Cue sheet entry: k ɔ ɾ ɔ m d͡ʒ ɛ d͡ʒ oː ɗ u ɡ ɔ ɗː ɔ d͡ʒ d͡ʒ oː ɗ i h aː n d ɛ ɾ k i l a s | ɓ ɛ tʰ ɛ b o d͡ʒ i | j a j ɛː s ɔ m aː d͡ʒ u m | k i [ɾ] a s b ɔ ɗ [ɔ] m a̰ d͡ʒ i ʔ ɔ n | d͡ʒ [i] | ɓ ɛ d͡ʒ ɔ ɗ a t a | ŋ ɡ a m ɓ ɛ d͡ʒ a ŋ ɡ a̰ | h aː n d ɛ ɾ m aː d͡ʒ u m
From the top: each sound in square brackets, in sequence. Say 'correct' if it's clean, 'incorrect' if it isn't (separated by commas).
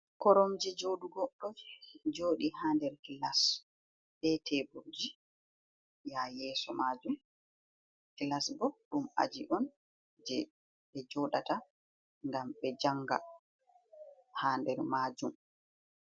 incorrect, incorrect, incorrect